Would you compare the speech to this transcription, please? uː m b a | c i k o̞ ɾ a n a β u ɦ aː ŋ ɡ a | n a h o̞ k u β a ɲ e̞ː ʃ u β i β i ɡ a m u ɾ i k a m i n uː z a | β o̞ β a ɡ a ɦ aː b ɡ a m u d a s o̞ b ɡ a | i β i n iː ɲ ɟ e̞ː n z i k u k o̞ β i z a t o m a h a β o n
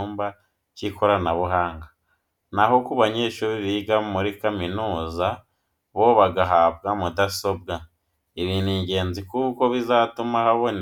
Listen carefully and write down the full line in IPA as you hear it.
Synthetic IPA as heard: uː m b a | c i k o̞ ɾ a n a β u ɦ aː ŋ ɡ a | n a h o̞ k u β a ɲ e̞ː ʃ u β i β i ɡ a m u ɾ i k a m i n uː z a | β o̞ β a ɡ a ɦ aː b ɡ a m u d a s o̞ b ɡ a | i β i n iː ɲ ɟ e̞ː n z i k u k o̞ β i z a t u m a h a β o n